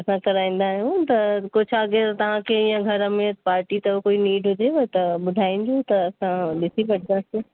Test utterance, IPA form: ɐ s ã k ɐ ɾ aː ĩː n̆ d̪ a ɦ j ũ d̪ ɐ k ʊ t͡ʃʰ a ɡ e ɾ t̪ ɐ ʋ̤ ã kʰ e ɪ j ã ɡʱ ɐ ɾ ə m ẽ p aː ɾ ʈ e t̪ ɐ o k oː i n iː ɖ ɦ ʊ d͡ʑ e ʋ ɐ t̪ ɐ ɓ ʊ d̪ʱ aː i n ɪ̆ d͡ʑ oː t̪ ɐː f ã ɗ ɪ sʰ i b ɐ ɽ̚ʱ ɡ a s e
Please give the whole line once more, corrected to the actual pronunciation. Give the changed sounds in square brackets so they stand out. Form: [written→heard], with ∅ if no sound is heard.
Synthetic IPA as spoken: ɐ s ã k ɐ ɾ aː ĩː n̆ d̪ a ɦ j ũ [d̪→t̪] ɐ k ʊ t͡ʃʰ a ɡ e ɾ t̪ ɐ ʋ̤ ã kʰ e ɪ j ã ɡʱ ɐ ɾ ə m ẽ p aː ɾ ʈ [e→i] t̪ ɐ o k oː i n iː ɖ ɦ ʊ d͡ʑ e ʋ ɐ t̪ ɐ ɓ ʊ d̪ʱ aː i n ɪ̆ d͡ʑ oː t̪ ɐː [f→s] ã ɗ ɪ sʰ i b ɐ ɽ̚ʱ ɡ a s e